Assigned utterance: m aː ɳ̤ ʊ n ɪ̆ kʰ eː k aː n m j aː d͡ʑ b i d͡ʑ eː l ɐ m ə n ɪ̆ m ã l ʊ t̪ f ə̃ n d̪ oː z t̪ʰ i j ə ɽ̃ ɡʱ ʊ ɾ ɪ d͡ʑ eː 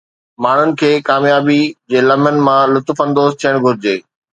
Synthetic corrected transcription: m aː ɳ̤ ʊ n ɪ̆ kʰ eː k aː m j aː b i d͡ʑ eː l ɐ m ə n ɪ̆ m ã l ʊ t̪ f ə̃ n d̪ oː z t̪ʰ i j ə ɽ̃ ɡʱ ʊ ɾ ɪ d͡ʑ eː